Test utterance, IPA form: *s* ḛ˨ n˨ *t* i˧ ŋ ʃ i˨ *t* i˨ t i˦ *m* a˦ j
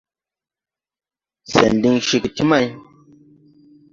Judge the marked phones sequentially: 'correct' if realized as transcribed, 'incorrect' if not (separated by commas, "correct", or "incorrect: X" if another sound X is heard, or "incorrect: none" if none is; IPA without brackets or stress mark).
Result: correct, incorrect: d, incorrect: k, correct